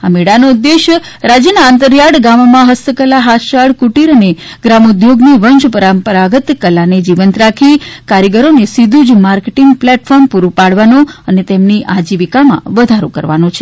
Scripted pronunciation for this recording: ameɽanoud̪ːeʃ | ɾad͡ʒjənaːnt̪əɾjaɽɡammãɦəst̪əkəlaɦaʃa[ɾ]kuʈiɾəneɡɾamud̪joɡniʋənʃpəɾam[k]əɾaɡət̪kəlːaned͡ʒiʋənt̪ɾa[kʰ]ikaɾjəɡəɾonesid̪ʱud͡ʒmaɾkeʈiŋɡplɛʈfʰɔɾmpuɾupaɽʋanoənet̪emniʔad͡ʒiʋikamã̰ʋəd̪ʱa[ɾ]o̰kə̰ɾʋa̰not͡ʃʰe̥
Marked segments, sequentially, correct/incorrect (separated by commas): incorrect, incorrect, correct, correct